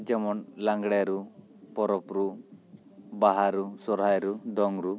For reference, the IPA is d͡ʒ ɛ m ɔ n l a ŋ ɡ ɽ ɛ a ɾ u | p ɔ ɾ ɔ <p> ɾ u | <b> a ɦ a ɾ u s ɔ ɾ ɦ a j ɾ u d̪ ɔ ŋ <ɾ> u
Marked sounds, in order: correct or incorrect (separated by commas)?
correct, correct, correct